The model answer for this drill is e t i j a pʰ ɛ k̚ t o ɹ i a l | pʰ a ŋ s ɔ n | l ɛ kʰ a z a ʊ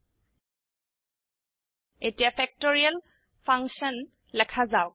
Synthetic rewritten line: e t i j a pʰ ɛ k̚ t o ɹ i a l | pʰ a ŋ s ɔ n | l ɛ kʰ a z a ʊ